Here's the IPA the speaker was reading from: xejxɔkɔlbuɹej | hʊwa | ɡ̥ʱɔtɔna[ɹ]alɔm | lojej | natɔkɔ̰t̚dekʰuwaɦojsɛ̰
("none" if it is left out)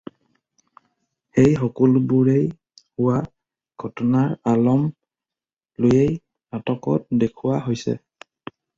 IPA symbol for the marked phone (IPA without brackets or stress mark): ɹ